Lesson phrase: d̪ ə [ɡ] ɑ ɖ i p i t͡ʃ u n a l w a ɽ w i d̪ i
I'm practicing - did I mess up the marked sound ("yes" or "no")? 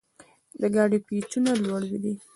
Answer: no